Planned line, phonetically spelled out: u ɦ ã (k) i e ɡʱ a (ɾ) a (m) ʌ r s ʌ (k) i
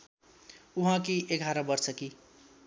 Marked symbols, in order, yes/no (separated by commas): yes, yes, no, yes